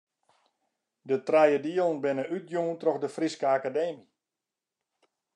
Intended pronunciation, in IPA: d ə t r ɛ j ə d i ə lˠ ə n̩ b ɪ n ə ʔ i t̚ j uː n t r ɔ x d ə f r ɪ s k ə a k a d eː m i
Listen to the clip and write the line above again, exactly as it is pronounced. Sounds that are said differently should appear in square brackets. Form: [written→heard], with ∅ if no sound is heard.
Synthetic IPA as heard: d ə t r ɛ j ə d i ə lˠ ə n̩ b ɪ n ə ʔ [i→y] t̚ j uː n t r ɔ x d ə f r [ɪ→i] s k ə a k a d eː m i